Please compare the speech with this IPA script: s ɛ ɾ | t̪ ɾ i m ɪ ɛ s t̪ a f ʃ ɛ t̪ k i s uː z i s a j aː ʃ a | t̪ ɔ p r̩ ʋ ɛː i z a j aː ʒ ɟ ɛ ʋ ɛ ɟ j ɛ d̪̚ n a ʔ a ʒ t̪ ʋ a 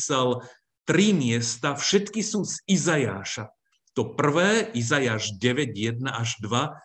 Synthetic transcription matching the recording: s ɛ l | t̪ ɾ i m ɪ ɛ s t̪ a f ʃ ɛ t̪ k i s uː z i z a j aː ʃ a | t̪ ɔ p r̩ ʋ ɛː i z a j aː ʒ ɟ ɛ ʋ ɛ ɟ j ɛ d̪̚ n a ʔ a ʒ d̪ ʋ a